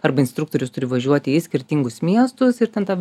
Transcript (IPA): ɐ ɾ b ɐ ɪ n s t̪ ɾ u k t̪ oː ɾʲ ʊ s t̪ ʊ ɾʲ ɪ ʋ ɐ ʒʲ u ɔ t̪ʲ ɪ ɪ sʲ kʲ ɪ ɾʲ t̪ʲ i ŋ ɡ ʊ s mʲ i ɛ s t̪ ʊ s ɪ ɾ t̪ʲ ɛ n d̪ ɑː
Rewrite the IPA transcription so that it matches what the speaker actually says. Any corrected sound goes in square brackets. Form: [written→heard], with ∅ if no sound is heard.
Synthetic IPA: ɐ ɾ b ɐ ɪ n s t̪ ɾ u k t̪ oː ɾʲ ʊ s t̪ ʊ ɾʲ ɪ ʋ ɐ ʒʲ u ɔ t̪ʲ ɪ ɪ sʲ kʲ ɪ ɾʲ t̪ʲ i ŋ ɡ ʊ s mʲ i ɛ s t̪ ʊ s ɪ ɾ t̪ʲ ɛ n [d̪→t̪] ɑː